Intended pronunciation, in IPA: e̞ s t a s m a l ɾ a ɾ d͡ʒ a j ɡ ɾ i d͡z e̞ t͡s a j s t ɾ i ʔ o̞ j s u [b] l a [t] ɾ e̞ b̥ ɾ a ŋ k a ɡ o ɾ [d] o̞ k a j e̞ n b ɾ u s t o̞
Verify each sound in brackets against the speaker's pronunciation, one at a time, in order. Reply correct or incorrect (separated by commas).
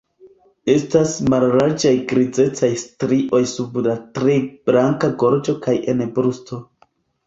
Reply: correct, correct, incorrect